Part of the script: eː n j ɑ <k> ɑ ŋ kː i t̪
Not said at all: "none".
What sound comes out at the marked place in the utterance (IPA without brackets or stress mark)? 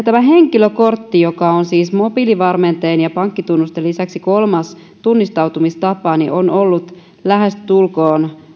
p